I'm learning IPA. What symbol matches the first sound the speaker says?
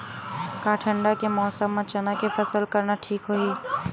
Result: k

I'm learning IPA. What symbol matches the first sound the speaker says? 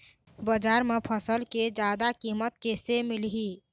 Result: b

